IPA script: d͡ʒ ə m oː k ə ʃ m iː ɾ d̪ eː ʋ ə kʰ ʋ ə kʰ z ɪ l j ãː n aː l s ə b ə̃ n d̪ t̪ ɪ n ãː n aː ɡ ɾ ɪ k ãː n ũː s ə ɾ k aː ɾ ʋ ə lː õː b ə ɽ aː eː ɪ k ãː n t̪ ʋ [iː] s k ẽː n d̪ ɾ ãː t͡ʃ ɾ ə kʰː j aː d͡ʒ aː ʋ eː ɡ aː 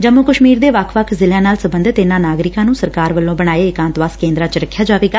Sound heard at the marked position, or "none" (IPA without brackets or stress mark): aː